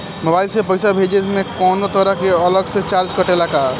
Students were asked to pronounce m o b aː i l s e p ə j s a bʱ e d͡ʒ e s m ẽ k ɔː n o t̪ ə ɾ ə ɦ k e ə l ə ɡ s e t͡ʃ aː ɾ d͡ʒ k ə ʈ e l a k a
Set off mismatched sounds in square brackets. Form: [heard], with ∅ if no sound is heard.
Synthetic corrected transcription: m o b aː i l s e p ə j s a bʱ e d͡ʒ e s m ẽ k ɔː n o t̪ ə ɾ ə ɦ k e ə l ə ɡ s e t͡ʃ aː ɾ d͡ʒ k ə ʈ e l a k a